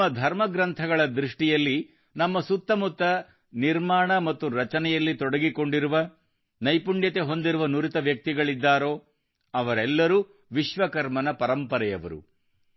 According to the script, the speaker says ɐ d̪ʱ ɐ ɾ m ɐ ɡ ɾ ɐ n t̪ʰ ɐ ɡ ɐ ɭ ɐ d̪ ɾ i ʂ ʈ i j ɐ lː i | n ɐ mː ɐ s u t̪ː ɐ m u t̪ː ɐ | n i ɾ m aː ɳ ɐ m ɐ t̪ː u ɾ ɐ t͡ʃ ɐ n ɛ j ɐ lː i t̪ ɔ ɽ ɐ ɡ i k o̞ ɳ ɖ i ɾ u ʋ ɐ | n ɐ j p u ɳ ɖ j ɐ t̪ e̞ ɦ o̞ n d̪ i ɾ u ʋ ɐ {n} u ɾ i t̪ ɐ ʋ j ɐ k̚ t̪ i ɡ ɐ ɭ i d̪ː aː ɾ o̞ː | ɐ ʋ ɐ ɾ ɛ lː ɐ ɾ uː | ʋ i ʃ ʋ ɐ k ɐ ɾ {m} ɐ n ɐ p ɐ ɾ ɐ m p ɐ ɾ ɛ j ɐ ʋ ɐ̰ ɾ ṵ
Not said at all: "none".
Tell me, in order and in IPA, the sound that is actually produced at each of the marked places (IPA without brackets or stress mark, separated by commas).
n, m